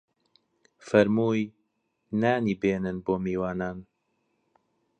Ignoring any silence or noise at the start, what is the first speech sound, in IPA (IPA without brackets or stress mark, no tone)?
f